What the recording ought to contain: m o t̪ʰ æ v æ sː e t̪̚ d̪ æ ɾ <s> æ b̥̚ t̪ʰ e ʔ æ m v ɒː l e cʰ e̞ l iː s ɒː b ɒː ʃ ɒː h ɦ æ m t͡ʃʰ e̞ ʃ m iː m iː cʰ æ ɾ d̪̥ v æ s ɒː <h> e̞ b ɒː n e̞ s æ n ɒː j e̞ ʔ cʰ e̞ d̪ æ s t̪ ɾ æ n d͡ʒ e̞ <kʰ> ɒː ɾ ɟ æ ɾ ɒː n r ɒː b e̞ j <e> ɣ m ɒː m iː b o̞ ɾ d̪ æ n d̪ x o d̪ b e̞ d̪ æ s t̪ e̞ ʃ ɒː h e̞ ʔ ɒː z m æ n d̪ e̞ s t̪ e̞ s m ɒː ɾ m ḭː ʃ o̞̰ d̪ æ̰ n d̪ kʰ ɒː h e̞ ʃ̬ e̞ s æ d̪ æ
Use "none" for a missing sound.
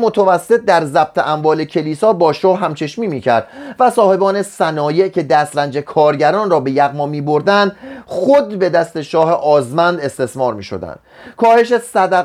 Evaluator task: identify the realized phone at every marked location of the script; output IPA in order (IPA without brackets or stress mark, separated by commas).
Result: z, h, kʰ, æ